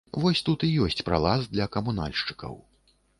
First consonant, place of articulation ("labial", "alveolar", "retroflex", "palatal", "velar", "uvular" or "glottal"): labial